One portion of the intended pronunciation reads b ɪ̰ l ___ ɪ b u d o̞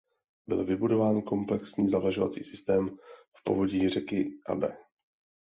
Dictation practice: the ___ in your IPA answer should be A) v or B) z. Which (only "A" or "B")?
A